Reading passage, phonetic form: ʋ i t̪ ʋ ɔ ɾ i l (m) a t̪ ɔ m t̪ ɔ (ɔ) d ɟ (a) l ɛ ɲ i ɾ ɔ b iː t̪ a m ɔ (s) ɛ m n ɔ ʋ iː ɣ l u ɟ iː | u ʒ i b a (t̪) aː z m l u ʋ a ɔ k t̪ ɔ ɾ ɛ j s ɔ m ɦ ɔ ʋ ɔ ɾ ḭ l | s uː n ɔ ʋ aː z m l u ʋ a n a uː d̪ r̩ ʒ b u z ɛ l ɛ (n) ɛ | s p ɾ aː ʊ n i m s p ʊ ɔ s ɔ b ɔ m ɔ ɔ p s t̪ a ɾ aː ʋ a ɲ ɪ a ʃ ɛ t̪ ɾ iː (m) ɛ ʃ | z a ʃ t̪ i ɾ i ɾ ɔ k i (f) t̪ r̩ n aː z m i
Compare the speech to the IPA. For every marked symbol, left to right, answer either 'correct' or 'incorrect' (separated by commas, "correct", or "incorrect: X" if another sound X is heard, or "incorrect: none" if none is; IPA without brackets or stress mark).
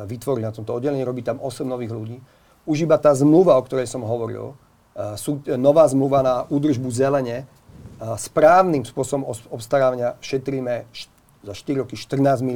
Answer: incorrect: n, correct, incorrect: ɛ, correct, correct, incorrect: ɲ, correct, incorrect: ʃ